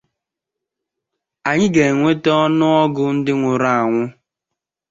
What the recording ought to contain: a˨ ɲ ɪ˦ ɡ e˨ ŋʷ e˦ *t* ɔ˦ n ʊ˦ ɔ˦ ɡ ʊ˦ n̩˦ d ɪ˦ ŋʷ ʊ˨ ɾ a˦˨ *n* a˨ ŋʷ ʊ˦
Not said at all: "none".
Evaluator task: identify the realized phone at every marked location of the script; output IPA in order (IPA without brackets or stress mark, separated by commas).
t, none